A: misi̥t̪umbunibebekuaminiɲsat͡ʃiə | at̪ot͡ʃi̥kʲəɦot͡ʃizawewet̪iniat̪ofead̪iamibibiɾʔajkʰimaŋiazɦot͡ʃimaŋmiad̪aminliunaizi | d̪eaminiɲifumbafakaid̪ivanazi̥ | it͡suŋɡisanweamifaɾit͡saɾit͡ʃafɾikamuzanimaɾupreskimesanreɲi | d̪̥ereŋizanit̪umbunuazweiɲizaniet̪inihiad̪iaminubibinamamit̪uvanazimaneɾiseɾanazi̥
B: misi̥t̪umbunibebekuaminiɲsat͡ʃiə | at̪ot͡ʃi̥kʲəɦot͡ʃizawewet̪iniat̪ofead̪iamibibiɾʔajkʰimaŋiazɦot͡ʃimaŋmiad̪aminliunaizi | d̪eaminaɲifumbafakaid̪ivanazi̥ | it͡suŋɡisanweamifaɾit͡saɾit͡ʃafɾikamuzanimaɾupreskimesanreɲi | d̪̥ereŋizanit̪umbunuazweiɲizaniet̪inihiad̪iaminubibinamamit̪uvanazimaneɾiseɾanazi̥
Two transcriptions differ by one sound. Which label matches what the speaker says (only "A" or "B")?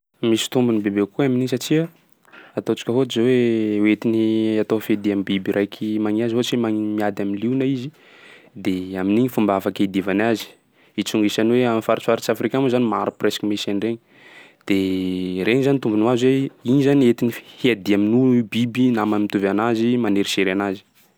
A